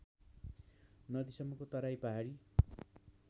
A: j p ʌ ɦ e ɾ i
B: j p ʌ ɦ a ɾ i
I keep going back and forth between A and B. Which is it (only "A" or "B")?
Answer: B